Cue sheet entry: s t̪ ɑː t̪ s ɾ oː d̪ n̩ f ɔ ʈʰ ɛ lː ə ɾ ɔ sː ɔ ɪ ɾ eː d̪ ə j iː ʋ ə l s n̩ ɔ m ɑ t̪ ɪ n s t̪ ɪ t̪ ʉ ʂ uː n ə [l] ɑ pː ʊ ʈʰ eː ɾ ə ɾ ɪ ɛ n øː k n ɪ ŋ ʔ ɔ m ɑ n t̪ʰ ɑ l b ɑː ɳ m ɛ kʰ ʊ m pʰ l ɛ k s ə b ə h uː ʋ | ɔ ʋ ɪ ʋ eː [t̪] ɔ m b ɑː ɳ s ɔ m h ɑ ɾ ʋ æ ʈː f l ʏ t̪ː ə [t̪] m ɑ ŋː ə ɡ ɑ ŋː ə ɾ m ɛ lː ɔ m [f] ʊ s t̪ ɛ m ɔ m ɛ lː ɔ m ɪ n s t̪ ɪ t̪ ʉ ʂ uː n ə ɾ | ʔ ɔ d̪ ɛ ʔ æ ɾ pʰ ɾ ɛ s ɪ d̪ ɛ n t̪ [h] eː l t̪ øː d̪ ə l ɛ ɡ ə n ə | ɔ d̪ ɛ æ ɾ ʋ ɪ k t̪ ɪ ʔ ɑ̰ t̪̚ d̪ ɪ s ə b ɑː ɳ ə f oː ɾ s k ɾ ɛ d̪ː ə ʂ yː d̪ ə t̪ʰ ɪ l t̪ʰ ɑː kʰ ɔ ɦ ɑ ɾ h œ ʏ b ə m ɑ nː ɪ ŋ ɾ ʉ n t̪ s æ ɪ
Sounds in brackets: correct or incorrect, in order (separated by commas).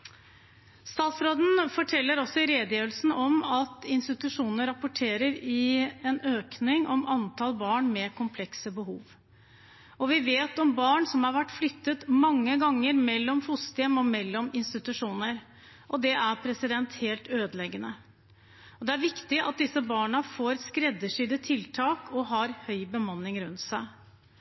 incorrect, correct, correct, correct, correct